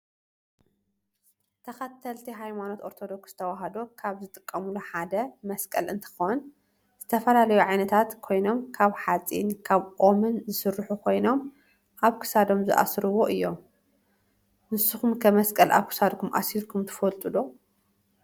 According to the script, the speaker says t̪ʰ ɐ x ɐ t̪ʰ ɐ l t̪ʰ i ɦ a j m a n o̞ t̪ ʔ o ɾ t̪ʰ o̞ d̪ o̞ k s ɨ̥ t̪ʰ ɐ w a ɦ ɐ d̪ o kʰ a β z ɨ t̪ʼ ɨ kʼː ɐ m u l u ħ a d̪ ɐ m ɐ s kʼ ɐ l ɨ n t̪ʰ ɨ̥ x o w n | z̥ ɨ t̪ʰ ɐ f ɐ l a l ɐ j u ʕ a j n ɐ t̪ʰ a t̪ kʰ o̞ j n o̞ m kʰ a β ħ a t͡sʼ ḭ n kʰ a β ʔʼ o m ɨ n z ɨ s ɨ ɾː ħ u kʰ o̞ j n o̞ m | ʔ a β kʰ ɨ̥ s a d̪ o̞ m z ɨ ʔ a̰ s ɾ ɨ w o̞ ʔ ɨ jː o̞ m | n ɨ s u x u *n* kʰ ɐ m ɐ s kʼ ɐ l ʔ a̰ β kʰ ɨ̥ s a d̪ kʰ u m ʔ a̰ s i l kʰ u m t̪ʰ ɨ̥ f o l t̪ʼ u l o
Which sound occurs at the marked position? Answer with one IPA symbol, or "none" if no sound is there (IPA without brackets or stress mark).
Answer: m